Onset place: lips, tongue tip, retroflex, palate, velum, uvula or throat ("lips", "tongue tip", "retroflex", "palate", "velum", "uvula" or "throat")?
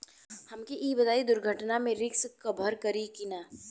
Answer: throat